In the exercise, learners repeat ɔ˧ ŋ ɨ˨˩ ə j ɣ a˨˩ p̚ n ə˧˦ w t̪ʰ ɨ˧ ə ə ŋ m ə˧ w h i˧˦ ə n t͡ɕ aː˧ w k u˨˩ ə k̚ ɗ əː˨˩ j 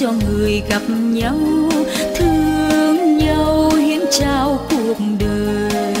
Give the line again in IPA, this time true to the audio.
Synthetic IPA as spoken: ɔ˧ ŋ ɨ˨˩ ə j ɣ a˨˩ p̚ ɲ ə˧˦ w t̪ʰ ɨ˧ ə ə ŋ ɲ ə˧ w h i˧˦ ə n t͡ɕ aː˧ w k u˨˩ ə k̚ ɗ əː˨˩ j